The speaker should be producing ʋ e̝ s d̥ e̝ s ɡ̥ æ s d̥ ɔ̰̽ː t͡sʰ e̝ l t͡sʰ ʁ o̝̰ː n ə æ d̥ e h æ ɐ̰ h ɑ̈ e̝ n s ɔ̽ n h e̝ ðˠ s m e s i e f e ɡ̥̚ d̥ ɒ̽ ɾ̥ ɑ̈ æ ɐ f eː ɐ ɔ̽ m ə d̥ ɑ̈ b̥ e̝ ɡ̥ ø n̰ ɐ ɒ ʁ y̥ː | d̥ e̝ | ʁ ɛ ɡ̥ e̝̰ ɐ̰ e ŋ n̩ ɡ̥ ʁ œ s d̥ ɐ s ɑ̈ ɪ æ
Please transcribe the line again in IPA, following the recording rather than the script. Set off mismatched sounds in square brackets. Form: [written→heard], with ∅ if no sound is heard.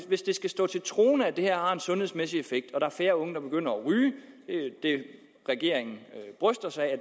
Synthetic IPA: ʋ e̝ s d̥ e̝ s ɡ̥ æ s d̥ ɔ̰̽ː t͡sʰ e̝ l t͡sʰ ʁ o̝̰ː n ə æ d̥ e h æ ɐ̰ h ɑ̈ e̝ n s ɔ̽ n h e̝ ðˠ s m e s i e f e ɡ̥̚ d̥ ɒ̽ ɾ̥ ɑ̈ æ ɐ f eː ɐ ɔ̽ [m→ŋ] ə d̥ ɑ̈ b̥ e̝ ɡ̥ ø n̰ ɐ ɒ ʁ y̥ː | d̥ e̝ | ʁ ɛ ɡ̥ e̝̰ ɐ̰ e ŋ n̩ [ɡ̥→b̥] ʁ œ s d̥ ɐ s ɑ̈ ɪ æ